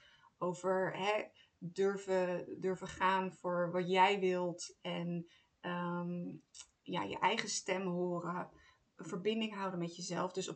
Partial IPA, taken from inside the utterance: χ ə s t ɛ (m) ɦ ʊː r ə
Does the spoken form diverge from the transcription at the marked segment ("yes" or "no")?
no